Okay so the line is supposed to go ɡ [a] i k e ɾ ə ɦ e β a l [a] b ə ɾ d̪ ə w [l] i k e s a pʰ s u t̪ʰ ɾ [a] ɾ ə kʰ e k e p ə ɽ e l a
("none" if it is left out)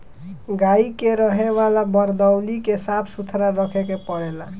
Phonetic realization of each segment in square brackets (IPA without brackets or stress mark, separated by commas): a, a, l, a